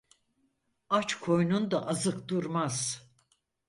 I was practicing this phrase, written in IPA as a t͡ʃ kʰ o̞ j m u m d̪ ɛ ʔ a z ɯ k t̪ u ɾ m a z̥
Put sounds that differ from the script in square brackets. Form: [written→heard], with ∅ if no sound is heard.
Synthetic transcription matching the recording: a t͡ʃ kʰ o̞ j [m→n] u [m→n] d̪ [ɛ→a] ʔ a z ɯ k [t̪→d̪] u ɾ m a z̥